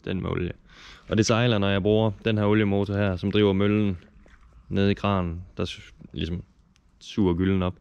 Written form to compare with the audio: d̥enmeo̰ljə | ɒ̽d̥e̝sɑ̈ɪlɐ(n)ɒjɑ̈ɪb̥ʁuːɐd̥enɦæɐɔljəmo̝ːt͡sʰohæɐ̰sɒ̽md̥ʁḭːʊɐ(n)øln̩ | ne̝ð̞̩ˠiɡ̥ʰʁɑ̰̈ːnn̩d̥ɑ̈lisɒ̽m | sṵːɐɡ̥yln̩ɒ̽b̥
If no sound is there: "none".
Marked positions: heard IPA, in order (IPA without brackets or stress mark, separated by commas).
n, m